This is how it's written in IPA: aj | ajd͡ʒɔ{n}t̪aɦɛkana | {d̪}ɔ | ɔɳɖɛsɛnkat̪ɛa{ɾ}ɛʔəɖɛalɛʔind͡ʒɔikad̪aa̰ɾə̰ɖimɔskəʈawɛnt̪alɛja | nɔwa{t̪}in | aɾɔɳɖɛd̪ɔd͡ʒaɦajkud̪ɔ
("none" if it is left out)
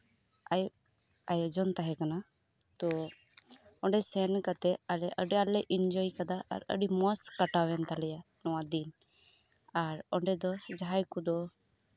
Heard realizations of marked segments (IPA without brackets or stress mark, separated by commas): n, t̪, l, d̪